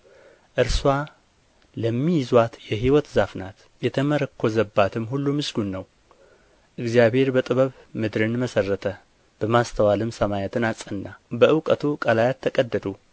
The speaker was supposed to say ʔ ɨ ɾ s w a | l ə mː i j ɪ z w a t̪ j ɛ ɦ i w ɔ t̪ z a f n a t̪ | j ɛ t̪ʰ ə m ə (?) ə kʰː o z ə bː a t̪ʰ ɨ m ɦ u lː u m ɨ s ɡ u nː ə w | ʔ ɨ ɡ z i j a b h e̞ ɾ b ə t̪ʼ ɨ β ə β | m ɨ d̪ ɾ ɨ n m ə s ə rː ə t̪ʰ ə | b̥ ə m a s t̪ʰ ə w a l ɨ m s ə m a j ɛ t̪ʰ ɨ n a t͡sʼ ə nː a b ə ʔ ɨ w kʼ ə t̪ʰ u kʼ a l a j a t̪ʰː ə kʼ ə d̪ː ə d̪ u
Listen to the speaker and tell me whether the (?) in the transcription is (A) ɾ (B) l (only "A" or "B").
A